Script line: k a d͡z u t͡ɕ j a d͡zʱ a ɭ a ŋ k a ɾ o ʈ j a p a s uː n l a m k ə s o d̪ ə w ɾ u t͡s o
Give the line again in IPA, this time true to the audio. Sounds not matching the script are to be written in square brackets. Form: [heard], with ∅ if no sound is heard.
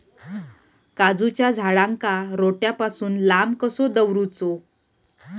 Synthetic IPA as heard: k a d͡z u t͡ɕ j a d͡zʱ a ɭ a ŋ k a ɾ o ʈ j a p a s uː n l a m k ə s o d̪ ə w ɾ u t͡s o